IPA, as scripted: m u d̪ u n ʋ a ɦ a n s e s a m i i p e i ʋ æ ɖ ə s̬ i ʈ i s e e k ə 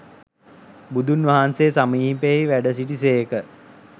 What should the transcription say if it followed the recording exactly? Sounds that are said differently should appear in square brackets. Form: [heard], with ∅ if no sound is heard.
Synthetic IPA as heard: [b] u d̪ u n ʋ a ɦ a n s e s a m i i p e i ʋ æ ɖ ə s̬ i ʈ i s e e k ə